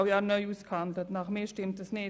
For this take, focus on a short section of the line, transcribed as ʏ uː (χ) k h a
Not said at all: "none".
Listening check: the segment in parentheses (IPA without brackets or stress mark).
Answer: s